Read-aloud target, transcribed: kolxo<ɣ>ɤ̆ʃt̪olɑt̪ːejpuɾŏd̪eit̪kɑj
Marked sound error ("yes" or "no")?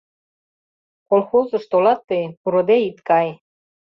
yes